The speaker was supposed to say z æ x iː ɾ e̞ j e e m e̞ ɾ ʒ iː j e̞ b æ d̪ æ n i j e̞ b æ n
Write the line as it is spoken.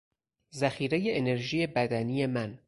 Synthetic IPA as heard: z æ x iː ɾ e̞ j e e n e̞ ɾ ʒ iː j e̞ b æ d̪ æ n i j e̞ m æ n